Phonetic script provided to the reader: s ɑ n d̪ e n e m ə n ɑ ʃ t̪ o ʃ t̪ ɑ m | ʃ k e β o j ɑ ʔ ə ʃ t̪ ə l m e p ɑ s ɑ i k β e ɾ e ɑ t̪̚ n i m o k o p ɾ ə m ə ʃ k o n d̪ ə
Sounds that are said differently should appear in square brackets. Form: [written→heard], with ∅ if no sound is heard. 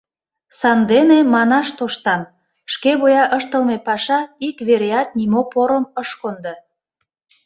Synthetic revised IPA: s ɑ n d̪ e n e m [ə→ɑ] n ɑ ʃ t̪ o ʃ t̪ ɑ m | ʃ k e β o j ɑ ʔ ə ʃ t̪ ə l m e p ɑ [s→ʃ] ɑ i k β e ɾ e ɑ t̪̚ n i m o [k→p] o [p→∅] ɾ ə m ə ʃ k o n d̪ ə